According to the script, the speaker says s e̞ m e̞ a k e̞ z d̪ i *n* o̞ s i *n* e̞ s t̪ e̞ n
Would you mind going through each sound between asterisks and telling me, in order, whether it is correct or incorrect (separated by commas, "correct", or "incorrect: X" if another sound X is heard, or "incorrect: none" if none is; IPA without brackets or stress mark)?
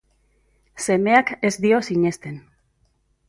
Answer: incorrect: none, incorrect: ɲ